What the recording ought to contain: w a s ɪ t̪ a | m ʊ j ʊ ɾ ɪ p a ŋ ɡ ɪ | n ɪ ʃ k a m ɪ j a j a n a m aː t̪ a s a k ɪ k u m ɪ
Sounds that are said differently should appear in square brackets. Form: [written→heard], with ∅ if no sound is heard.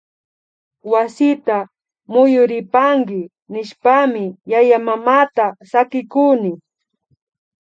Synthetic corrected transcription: w a s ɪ t̪ a | m ʊ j ʊ ɾ ɪ p a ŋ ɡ ɪ | n ɪ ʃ [k→p] a m ɪ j a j a [n→m] a m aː t̪ a s a k ɪ k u [m→n] ɪ

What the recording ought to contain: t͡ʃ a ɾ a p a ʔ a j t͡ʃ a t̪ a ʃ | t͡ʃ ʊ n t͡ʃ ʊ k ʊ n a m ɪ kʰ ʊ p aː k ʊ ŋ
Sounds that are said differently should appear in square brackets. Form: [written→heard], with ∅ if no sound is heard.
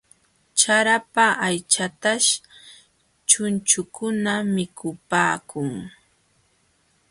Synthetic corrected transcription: t͡ʃ a ɾ a p a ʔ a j t͡ʃ a t̪ a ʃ | t͡ʃ ʊ n t͡ʃ ʊ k ʊ n a m ɪ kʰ ʊ p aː k ʊ ŋ

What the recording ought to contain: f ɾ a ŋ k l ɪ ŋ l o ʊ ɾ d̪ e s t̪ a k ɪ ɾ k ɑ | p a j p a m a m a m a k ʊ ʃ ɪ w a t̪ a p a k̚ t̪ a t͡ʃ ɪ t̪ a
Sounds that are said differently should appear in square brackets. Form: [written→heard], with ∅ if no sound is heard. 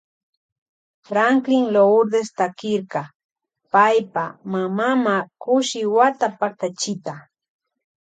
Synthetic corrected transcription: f ɾ a ŋ k l ɪ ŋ l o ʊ ɾ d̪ e s t̪ a k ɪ ɾ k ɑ | p a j p a m a m a m a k ʊ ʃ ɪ w a t̪ a p a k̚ t̪ a t͡ʃ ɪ t̪ a

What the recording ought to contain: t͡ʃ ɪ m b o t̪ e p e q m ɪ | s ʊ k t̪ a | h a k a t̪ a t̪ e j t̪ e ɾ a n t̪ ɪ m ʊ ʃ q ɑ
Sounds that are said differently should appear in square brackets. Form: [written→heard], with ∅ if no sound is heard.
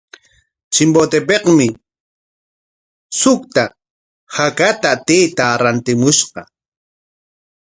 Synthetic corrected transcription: t͡ʃ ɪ m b o t̪ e p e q m ɪ | s ʊ k t̪ a | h a k a t̪ a t̪ e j t̪ [e→a] ɾ a n t̪ ɪ m ʊ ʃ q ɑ

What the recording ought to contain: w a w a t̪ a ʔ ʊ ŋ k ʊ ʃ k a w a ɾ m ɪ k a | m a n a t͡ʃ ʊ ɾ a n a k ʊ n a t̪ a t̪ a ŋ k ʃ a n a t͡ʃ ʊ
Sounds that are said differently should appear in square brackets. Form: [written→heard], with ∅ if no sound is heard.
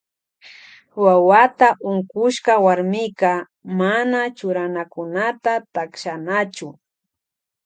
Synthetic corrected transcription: w a w a t̪ a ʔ ʊ ŋ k ʊ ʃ k a w a ɾ m ɪ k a | m a n a t͡ʃ ʊ ɾ a n a k ʊ n a t̪ a t̪ a [ŋ→∅] k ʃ a n a t͡ʃ ʊ

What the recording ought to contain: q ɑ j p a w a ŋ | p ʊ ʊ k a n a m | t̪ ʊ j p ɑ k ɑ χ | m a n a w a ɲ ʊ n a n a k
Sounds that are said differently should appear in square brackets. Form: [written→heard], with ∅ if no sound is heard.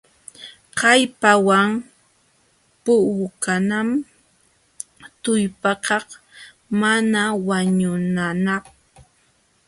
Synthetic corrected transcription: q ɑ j p a w a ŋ | p ʊ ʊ k a n a m | t̪ ʊ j p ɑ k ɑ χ | m a n a w a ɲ ʊ n a n a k

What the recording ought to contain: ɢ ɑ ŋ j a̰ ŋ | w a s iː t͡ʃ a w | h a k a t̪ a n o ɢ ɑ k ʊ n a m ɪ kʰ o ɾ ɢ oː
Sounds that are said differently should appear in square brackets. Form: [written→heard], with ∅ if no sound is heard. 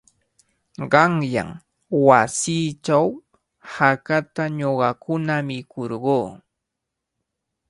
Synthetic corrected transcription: ɢ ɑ ŋ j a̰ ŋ | w a s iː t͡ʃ a w | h a k a t̪ a [n→ɲ] o ɢ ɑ k ʊ n a m ɪ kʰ o ɾ ɢ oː

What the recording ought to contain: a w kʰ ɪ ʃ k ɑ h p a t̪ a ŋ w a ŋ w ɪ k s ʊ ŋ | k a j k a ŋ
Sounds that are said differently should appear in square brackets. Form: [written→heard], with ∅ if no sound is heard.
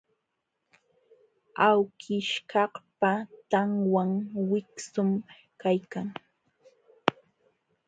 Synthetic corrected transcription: a w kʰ ɪ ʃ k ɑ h p a t̪ a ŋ w a ŋ w ɪ k s ʊ [ŋ→m] | k a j k a ŋ

